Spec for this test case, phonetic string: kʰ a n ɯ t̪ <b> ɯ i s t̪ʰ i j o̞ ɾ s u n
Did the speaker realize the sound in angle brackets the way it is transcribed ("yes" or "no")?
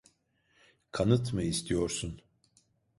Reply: no